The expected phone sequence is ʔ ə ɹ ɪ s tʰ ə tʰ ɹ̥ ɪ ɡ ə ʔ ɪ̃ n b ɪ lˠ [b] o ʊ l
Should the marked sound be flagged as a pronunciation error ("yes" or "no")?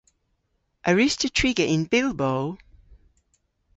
no